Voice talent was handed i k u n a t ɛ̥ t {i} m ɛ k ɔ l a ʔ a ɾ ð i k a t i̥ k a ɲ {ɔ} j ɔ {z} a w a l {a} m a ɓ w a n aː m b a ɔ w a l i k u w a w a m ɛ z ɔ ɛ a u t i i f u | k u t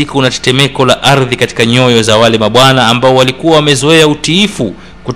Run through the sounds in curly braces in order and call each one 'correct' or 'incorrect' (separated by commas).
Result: incorrect, correct, correct, incorrect